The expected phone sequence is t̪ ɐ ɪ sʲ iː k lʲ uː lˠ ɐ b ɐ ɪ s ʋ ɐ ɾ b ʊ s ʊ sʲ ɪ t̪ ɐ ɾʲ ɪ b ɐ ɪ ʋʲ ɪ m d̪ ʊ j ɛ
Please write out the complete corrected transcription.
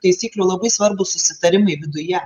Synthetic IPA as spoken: t̪ ɐ ɪ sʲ iː k lʲ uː lˠ ɐ b ɐ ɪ s ʋ ɐ ɾ b ʊ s ʊ sʲ ɪ t̪ ɐ ɾʲ ɪ m ɐ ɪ ʋʲ ɪ d̪ ʊ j ɛ